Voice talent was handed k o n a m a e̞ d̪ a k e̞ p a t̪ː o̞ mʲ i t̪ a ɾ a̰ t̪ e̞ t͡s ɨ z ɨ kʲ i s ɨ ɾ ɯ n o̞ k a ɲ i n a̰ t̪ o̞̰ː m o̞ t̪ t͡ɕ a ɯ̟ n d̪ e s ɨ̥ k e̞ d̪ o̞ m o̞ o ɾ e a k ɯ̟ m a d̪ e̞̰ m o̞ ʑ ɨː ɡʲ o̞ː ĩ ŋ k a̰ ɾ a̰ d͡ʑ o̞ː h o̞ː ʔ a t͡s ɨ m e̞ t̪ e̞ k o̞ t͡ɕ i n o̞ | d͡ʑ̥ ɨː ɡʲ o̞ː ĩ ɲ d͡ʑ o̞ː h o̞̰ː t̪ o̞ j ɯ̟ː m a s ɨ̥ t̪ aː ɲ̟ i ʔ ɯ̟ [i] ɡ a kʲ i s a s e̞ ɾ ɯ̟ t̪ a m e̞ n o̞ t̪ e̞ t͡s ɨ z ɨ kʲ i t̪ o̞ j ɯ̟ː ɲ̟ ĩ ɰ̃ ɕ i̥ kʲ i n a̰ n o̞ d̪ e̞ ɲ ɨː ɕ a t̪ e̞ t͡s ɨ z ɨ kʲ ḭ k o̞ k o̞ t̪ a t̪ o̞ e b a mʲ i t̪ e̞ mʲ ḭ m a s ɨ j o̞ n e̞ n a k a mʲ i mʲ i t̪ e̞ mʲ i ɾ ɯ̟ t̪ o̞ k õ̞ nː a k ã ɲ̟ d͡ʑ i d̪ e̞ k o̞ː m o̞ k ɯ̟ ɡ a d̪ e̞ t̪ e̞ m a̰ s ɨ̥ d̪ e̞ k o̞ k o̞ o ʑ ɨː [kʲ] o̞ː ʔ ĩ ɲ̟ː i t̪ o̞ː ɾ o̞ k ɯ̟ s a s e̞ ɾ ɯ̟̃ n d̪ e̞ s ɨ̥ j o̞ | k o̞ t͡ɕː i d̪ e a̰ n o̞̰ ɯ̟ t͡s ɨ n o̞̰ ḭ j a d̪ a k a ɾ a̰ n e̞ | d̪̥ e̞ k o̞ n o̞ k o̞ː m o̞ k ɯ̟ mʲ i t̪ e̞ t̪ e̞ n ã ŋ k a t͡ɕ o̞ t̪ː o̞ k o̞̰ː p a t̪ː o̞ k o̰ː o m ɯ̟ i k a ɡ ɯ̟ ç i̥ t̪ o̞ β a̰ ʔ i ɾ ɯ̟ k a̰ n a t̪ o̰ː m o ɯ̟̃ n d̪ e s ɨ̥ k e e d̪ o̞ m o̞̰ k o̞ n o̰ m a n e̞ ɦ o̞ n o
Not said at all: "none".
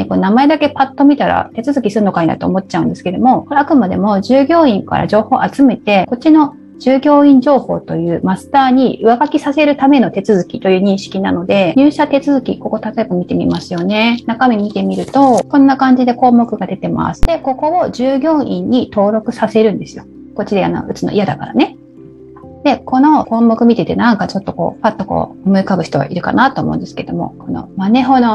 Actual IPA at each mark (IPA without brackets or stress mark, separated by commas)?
a, ɡʲ